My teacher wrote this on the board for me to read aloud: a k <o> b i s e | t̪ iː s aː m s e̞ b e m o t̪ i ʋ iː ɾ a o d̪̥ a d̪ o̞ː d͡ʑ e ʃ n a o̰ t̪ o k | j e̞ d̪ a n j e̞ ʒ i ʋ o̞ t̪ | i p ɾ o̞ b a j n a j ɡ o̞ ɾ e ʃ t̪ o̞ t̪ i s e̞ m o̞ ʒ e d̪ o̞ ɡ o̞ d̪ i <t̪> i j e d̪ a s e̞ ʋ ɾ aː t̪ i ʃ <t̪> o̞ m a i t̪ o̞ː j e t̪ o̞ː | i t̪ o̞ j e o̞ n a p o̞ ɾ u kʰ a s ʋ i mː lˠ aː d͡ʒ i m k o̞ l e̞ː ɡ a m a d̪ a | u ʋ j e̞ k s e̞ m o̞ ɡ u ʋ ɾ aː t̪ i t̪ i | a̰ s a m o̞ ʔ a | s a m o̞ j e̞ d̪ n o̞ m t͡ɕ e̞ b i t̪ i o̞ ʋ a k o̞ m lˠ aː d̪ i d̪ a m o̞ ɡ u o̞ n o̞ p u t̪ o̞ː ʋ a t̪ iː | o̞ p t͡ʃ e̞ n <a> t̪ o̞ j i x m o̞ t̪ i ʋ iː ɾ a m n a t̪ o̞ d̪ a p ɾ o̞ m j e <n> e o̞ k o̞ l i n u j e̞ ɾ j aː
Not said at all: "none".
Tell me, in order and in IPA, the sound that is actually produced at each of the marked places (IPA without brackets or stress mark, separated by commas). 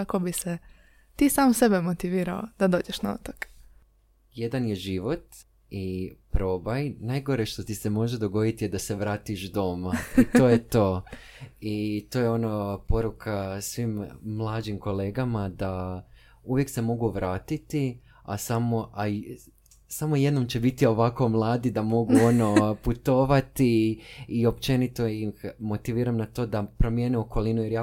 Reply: o, t̪, d̪, i, n